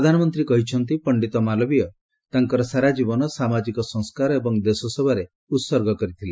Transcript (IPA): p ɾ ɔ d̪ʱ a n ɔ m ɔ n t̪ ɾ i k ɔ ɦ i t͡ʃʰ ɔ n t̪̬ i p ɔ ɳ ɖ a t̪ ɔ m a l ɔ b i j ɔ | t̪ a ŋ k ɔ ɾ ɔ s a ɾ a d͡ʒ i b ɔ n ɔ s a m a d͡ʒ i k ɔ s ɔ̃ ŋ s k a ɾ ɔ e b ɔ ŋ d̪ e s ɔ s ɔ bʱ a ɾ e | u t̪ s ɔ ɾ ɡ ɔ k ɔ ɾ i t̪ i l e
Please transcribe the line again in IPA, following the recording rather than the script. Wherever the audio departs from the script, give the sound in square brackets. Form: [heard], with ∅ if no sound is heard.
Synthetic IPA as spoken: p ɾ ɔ d̪ʱ a n ɔ m ɔ n t̪ ɾ i k ɔ ɦ i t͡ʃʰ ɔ n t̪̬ i p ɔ ɳ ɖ [i] t̪ ɔ m a l ɔ b i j ɔ | t̪ a ŋ k ɔ ɾ ɔ s a ɾ a d͡ʒ i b ɔ n ɔ s a m a d͡ʒ i k ɔ s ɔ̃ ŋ s k a ɾ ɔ e b ɔ ŋ d̪ e s ɔ s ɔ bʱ a ɾ e | u t̪ s ɔ ɾ ɡ ɔ k ɔ ɾ i [t̪ʰ] i l e